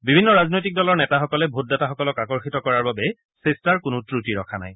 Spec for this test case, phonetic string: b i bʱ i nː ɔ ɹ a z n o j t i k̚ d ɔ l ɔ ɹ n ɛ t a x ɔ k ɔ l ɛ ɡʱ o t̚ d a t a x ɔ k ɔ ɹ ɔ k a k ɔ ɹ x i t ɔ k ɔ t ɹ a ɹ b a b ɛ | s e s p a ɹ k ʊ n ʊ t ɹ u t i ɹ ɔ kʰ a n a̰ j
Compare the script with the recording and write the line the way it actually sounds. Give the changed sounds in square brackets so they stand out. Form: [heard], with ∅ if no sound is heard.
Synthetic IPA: b i bʱ i nː ɔ ɹ a z n o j t i k̚ d ɔ l ɔ ɹ n ɛ t a x ɔ k ɔ l ɛ [bʱ] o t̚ d a t a x ɔ k ɔ [l] ɔ k a k ɔ ɹ x i t ɔ k ɔ [∅] ɹ a ɹ b a b ɛ | s e s [t] a ɹ k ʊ n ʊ t ɹ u t i ɹ ɔ kʰ a n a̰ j